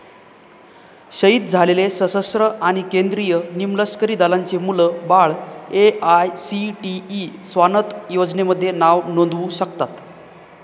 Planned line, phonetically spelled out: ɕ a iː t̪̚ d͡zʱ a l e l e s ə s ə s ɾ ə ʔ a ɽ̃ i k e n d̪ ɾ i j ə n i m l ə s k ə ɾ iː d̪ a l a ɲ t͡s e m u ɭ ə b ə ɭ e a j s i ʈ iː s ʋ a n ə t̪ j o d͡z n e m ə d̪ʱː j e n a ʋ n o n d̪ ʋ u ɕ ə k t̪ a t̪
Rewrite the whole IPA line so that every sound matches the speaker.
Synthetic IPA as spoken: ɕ ə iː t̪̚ d͡zʱ a l e l e s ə s ə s ɾ ə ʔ a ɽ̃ i k e n d̪ ɾ i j ə n i m l ə s k ə ɾ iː d̪ a l a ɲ t͡s e m u l ə b a ɭ e a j s i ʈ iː s ʋ a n ə t̪ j o d͡z n e m ə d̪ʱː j e n a ʋ n o n d̪ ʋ u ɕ ə k t̪ a t̪